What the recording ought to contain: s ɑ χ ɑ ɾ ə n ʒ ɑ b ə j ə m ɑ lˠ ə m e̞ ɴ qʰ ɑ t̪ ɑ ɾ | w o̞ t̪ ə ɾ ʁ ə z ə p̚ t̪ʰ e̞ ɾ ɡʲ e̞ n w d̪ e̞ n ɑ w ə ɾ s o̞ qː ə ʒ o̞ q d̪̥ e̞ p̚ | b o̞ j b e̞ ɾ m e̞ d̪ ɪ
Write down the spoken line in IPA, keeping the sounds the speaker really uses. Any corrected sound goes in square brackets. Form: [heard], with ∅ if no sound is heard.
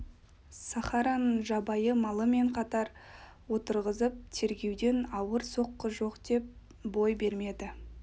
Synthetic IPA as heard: s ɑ χ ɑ ɾ [ɑ] n ʒ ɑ b [ɑ] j ə m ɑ lˠ ə m e̞ ɴ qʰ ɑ t̪ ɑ ɾ | w o̞ t̪ ə ɾ ʁ ə z ə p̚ t̪ʰ e̞ ɾ ɡʲ e̞ [∅] w d̪ e̞ n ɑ w ə ɾ s o̞ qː ə ʒ o̞ q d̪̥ e̞ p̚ | b o̞ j b e̞ ɾ m e̞ d̪ ɪ